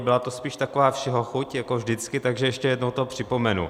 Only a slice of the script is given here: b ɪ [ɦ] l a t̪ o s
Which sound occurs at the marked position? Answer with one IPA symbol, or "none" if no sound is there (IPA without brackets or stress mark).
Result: none